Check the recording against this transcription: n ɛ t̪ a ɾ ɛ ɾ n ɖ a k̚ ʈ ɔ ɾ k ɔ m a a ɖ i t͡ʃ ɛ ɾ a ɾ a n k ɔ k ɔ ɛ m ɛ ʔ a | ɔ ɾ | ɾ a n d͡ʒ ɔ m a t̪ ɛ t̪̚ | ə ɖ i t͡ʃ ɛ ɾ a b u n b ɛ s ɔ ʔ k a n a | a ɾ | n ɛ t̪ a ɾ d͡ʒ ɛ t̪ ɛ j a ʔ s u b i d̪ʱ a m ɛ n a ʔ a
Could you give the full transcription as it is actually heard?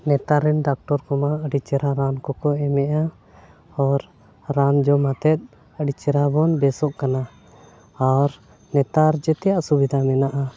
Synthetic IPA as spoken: n ɛ t̪ a ɾ ɛ n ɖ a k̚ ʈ ɔ ɾ k ɔ m a ə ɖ i t͡ʃ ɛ ɾ a ɾ a n k ɔ k ɔ ɛ m ɛ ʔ a | ɔ ɾ | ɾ a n d͡ʒ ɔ m a t̪ ɛ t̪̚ | ə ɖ i t͡ʃ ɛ ɾ a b ɔ n b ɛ s ɔ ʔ k a n a | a ɾ | n ɛ t̪ a ɾ d͡ʒ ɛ t̪ ɛ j a ʔ s u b i d̪ʱ a m ɛ n a ʔ a